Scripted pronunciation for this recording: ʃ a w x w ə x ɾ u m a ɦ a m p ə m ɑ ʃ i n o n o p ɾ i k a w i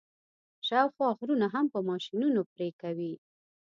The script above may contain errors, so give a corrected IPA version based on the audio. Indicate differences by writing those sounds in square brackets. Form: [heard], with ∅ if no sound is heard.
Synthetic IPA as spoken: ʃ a w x w [ɑ] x ɾ u [n] a ɦ a m p ə m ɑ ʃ i n [u] n o p ɾ [e] k a w i

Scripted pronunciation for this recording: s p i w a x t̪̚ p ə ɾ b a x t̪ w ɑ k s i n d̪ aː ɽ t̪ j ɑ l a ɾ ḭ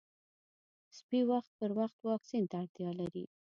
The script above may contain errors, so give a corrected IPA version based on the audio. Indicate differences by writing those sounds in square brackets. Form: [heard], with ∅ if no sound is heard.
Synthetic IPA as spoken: s p i w a x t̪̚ p ə ɾ [w] a x t̪ w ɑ k s i n [t̪] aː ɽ t̪ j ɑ l a ɾ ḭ

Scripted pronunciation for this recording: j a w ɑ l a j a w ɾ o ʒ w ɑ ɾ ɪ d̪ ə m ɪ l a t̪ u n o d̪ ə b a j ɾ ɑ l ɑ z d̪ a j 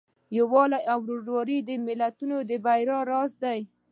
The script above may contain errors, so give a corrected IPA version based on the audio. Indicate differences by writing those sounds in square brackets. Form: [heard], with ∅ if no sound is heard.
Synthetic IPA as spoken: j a w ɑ l a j a w ɾ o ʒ w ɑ ɾ [i] d̪ ə m ɪ l a t̪ u n o d̪ ə b a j ɾ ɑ [ɾ] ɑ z d̪ a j

